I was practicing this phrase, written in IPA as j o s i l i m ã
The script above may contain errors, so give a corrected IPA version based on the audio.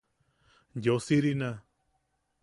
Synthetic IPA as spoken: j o s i ɾ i n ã